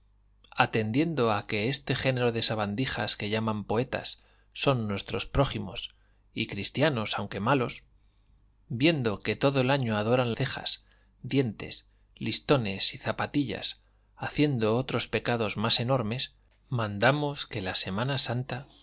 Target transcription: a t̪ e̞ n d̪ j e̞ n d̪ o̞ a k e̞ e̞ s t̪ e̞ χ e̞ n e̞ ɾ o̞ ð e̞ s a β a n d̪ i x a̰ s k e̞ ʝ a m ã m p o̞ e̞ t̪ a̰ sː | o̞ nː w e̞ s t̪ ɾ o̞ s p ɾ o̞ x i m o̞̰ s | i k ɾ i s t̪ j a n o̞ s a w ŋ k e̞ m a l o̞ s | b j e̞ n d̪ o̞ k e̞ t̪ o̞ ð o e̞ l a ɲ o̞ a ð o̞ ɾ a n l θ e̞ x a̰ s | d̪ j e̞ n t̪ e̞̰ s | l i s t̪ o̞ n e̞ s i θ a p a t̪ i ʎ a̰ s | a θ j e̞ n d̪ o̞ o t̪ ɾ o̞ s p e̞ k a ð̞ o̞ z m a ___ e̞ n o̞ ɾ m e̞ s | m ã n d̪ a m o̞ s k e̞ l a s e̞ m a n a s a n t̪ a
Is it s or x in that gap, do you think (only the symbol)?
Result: s